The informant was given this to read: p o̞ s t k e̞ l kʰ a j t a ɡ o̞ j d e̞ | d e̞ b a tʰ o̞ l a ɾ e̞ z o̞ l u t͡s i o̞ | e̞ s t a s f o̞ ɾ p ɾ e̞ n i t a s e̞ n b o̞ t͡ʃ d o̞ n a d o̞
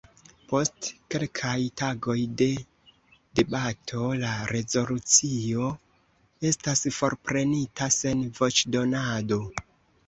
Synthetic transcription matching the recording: p o̞ s t k e̞ l kʰ a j t a ɡ o̞ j d e̞ | d e̞ b a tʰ o̞ l a ɾ e̞ z o̞ l u t͡s i o̞ | e̞ s t a s f o̞ ɾ p ɾ e̞ n i t a s e̞ n v o̞ t͡ʃ d o̞ n a d o̞